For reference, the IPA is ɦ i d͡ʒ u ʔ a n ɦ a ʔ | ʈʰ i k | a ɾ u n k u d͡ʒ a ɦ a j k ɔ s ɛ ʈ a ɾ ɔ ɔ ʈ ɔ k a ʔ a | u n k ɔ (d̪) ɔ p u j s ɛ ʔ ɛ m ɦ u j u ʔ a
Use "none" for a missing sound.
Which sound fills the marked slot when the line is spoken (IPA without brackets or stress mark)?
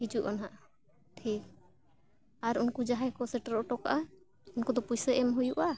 d̪